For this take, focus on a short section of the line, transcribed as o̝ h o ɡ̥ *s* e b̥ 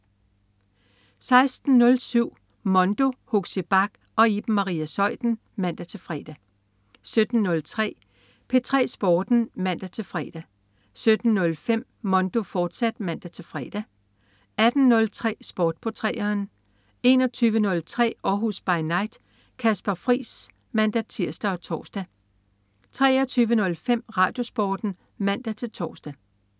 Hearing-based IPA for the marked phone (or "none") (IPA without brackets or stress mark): s